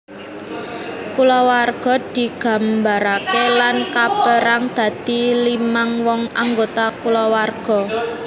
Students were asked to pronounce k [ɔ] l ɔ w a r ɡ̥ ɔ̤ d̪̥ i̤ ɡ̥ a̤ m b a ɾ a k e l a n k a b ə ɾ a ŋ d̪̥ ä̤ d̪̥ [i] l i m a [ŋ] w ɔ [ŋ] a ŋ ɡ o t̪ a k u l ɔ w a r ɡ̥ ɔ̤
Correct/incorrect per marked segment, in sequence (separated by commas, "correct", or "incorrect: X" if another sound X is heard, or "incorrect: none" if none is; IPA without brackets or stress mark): incorrect: u, correct, correct, correct